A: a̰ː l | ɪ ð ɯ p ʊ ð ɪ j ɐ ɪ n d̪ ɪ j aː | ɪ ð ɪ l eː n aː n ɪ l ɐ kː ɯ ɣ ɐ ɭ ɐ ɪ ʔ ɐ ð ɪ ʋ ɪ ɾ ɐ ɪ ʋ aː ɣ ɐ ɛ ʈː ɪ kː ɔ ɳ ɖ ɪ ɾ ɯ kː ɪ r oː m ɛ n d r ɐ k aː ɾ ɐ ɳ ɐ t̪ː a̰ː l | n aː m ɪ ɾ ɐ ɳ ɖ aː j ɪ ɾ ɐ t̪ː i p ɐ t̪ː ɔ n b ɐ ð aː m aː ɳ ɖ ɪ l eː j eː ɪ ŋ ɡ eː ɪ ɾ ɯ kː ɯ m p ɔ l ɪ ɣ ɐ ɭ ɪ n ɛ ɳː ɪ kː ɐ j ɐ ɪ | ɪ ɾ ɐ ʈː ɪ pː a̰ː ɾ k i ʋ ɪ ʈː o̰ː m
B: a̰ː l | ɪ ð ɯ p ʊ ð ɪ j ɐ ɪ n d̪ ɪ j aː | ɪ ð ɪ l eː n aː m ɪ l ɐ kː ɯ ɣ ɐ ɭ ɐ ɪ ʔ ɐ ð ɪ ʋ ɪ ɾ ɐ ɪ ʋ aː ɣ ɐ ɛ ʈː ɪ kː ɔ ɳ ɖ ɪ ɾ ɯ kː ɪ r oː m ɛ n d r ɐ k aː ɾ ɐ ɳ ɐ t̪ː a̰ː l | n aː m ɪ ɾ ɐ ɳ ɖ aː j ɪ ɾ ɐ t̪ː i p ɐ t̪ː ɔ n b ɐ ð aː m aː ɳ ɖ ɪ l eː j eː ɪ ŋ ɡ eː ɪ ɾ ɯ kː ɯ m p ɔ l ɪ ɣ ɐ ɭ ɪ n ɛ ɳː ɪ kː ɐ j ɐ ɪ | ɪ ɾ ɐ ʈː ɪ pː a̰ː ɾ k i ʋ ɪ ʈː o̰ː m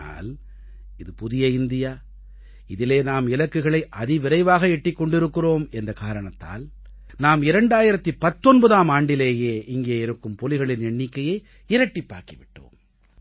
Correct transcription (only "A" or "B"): B